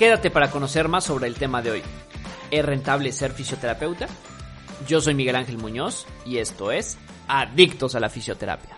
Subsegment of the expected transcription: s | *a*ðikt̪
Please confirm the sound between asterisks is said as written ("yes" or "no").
yes